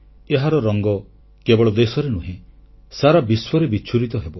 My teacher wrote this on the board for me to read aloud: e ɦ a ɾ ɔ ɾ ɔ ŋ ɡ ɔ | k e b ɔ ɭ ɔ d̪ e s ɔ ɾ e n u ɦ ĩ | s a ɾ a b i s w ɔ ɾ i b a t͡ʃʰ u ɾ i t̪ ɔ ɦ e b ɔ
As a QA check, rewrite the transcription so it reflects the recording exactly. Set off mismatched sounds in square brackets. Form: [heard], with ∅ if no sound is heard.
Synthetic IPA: e ɦ a ɾ ɔ ɾ ɔ ŋ ɡ ɔ | k e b ɔ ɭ ɔ d̪ e s ɔ ɾ e n u ɦ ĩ | s a ɾ a b i s w ɔ ɾ [e] b [i] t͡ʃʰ u ɾ i t̪ ɔ ɦ e b ɔ

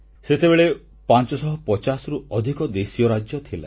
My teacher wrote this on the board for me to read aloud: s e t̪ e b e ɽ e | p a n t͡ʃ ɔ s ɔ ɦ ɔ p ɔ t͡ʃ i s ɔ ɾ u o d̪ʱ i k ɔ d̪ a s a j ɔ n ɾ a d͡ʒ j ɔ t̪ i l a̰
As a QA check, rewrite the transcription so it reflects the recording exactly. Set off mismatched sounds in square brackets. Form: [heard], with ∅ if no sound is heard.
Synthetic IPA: s e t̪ e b e [ɭ] e | p a n t͡ʃ ɔ s ɔ ɦ ɔ p ɔ t͡ʃ [a] s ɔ ɾ u [ɔ] d̪ʱ i k ɔ d̪ [e] s [i] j ɔ [∅] ɾ a d͡ʒ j ɔ [t̪ʰ] i l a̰

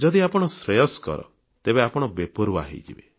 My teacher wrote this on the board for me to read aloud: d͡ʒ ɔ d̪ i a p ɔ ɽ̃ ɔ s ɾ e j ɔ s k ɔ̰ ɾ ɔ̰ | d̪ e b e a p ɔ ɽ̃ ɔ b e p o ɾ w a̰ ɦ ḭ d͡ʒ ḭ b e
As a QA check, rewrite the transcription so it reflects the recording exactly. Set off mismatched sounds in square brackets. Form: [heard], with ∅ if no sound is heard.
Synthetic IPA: d͡ʒ ɔ d̪ i a p ɔ ɽ̃ ɔ s ɾ e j ɔ s k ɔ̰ ɾ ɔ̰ | [t̪] e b e a p ɔ ɽ̃ ɔ b e p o ɾ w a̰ ɦ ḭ d͡ʒ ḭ b e

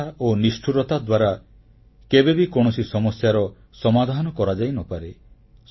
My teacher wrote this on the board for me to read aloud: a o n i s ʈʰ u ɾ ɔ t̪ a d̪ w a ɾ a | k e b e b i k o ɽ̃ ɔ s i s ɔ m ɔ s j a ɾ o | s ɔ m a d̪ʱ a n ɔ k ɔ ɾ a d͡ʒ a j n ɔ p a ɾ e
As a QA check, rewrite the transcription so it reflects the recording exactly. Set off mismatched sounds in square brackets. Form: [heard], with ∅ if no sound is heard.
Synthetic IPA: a o n i s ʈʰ u ɾ ɔ t̪ a d̪ w a ɾ a | k e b e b i k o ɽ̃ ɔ s i s ɔ m ɔ s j a ɾ [ɔ] | s ɔ m a d̪ʱ a n ɔ k ɔ ɾ a d͡ʒ a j n ɔ p a ɾ e

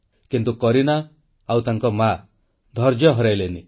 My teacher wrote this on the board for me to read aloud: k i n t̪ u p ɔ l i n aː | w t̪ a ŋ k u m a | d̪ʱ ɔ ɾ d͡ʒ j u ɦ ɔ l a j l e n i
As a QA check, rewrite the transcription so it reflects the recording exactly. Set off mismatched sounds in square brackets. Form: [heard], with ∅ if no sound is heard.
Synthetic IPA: k i n t̪ u [k] ɔ [ɾ] i n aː | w t̪ a ŋ k [ɔ] m a | d̪ʱ ɔ ɾ d͡ʒ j [ɔ] ɦ ɔ [ɾ] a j l e n i

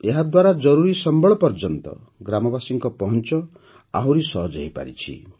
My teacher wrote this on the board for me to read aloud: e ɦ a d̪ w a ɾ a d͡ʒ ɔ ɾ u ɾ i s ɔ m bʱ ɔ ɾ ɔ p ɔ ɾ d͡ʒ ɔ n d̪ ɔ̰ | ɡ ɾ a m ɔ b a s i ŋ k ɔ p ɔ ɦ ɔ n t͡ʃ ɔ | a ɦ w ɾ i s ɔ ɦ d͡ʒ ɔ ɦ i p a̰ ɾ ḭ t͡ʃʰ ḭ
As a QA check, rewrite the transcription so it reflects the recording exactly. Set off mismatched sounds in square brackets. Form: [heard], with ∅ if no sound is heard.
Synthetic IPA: e ɦ a d̪ w a ɾ a d͡ʒ ɔ ɾ u ɾ i s ɔ m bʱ ɔ [ɭ] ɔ p ɔ ɾ d͡ʒ ɔ n [t̪] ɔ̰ | ɡ ɾ a m ɔ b a s i ŋ k ɔ p ɔ ɦ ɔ n t͡ʃ ɔ | a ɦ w ɾ i s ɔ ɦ d͡ʒ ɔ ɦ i p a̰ ɾ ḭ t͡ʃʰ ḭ

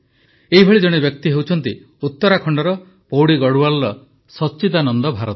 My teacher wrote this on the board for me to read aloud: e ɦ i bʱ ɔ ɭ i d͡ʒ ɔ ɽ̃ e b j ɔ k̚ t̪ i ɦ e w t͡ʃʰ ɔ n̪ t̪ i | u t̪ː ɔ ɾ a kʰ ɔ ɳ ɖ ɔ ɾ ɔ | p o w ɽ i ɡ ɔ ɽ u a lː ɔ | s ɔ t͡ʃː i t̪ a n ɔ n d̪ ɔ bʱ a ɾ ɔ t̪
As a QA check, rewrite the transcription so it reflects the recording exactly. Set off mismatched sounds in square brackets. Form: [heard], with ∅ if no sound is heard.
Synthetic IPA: e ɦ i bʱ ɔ ɭ i d͡ʒ ɔ ɽ̃ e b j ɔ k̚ t̪ i ɦ e w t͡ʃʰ ɔ n̪ t̪ i | u t̪ː ɔ ɾ a kʰ ɔ ɳ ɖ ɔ ɾ ɔ | p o w ɽ i ɡ ɔ ɽ u a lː ɔ | s ɔ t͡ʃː i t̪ a n ɔ n d̪ ɔ bʱ a ɾ ɔ t̪

